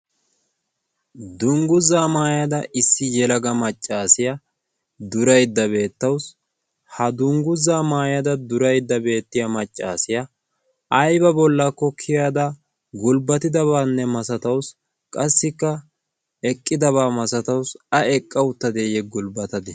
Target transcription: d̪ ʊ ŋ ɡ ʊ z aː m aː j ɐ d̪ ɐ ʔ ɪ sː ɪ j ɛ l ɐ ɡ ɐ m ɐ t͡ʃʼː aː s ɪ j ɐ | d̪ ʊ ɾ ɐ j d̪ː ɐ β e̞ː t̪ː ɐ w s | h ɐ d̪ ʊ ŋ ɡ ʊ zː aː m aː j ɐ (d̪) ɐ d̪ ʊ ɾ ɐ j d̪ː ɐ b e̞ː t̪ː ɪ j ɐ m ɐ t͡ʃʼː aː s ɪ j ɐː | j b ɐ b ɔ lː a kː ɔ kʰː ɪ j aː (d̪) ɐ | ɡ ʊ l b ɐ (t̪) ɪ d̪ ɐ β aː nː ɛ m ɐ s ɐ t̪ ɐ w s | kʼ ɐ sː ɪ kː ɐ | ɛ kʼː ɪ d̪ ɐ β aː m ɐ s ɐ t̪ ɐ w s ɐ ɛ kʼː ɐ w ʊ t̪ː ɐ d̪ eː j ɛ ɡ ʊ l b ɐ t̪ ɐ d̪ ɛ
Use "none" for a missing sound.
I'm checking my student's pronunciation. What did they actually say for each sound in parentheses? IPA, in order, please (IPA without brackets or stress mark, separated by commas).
d̪, d̪, t̪